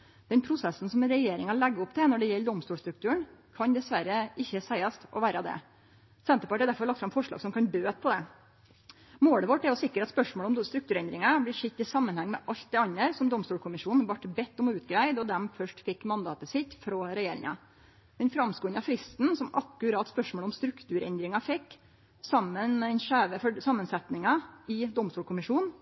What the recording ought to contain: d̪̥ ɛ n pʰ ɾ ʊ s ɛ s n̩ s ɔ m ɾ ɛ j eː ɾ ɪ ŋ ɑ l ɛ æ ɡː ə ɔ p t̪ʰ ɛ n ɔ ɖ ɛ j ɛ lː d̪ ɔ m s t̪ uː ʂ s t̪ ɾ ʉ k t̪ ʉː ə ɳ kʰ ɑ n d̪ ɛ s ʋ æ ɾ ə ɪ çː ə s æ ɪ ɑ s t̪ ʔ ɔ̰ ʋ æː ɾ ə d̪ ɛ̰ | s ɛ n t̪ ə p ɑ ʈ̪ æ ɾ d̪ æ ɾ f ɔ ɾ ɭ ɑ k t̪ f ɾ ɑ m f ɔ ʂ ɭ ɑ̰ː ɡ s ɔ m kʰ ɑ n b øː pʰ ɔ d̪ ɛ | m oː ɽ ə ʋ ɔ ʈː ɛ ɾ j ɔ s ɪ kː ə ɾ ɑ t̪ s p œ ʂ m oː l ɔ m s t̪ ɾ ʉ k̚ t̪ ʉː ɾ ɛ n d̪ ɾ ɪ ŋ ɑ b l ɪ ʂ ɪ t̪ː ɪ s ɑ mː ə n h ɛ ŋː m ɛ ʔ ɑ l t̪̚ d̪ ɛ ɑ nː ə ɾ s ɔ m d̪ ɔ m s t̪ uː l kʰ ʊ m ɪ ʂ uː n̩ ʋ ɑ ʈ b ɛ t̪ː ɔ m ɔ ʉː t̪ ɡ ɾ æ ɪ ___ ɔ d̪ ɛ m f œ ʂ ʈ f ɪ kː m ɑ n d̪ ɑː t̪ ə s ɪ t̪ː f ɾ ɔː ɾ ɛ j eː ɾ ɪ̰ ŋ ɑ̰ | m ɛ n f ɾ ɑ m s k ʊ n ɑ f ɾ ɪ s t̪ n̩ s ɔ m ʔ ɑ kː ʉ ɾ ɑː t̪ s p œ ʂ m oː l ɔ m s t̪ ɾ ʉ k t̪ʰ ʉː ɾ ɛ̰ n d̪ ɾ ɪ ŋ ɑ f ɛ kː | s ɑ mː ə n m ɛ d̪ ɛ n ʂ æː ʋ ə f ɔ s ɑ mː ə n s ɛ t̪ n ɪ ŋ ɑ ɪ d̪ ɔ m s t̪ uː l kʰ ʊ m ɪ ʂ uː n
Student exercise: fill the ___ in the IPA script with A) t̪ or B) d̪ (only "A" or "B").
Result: B